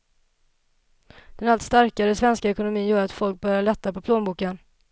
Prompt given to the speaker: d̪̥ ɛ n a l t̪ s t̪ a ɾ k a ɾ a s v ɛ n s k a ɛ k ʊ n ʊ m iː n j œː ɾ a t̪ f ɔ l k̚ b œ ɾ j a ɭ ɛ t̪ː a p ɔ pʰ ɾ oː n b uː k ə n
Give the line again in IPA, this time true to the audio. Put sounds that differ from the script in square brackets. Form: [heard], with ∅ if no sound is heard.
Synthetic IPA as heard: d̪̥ ɛ n a l t̪ s t̪ a ɾ k a ɾ [ə] s v ɛ n s k a ɛ k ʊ n ʊ m iː n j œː ɾ a t̪ f ɔ l k̚ b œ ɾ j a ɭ ɛ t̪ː a p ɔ pʰ [l] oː n b uː k ə n